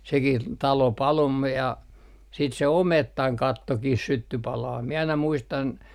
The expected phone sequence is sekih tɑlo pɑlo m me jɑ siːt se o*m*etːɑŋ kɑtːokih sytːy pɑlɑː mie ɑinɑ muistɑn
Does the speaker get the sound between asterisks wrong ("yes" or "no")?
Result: no